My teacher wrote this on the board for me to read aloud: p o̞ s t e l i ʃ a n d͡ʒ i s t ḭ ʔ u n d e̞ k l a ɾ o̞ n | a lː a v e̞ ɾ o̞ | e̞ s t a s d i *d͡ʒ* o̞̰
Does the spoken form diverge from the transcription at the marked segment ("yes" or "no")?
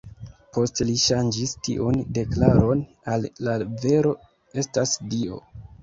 yes